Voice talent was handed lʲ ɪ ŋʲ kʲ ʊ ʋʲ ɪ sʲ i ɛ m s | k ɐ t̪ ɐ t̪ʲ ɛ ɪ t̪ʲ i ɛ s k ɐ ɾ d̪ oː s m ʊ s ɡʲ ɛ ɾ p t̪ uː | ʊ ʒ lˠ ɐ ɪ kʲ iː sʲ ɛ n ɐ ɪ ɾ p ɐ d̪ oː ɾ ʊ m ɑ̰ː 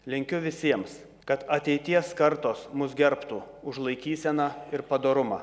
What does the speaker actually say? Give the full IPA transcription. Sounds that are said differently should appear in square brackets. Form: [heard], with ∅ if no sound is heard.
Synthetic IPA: lʲ ɪ ŋʲ kʲ ʊ ʋʲ ɪ sʲ i ɛ m s | k ɐ t̪ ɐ t̪ʲ ɛ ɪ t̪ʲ i ɛ s k ɐ ɾ [t̪] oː s m ʊ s ɡʲ ɛ ɾ p t̪ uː | ʊ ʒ lˠ ɐ ɪ kʲ iː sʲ ɛ n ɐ ɪ ɾ p ɐ d̪ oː ɾ ʊ m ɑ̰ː

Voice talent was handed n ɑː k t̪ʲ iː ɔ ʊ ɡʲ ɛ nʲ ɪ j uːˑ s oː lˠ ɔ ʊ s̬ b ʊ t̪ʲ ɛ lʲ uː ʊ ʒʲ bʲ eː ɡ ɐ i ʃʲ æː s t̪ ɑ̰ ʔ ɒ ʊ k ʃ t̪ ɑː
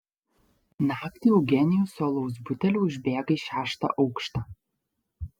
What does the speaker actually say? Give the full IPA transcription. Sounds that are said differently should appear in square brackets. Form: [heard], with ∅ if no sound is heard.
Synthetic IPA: n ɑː k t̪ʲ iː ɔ ʊ ɡʲ ɛ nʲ ɪ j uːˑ s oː lˠ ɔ ʊ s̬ b ʊ t̪ʲ ɛ lʲ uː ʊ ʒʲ bʲ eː ɡ ɐ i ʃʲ æː [ʃ] t̪ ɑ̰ ʔ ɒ ʊ k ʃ t̪ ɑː

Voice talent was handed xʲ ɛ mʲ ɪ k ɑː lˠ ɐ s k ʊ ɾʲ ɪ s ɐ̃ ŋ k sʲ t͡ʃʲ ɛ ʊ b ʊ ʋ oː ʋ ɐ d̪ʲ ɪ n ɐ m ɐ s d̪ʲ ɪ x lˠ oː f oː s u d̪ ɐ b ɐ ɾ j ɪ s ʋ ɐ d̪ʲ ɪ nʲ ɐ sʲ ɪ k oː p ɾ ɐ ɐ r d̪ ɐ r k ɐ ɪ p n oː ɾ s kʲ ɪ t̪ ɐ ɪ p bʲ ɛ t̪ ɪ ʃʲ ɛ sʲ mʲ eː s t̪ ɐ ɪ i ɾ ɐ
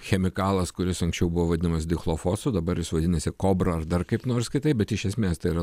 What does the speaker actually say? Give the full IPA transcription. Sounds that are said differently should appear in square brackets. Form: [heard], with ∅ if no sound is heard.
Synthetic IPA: xʲ ɛ mʲ ɪ k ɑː lˠ ɐ s k ʊ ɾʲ ɪ s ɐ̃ ŋ k sʲ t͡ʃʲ ɛ ʊ b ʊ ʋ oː ʋ ɐ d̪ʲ ɪ n ɐ m ɐ s d̪ʲ ɪ x lˠ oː f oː s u d̪ ɐ b ɐ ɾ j ɪ s ʋ ɐ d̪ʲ ɪ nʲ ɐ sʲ ɪ k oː [b] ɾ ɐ ɐ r d̪ ɐ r k ɐ ɪ p n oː ɾ s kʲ ɪ t̪ ɐ ɪ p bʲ ɛ t̪ ɪ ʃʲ ɛ sʲ mʲ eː s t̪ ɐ ɪ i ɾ ɐ

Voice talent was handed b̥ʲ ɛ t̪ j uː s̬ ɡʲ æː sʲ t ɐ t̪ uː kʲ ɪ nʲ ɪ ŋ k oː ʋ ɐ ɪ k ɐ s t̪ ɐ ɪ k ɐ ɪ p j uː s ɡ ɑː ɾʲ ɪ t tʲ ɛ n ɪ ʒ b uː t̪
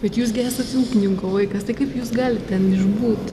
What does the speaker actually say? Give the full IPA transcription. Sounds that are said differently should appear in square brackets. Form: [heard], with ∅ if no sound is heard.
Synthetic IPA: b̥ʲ ɛ t̪ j uː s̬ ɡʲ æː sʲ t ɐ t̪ uː kʲ ɪ nʲ ɪ ŋ k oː ʋ ɐ ɪ k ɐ s t̪ ɐ ɪ k ɐ ɪ p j uː s ɡ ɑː [lʲ] ɪ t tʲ ɛ n ɪ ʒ b uː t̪

